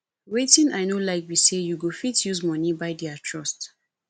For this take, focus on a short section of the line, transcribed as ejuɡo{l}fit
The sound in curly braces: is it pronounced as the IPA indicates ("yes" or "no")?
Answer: no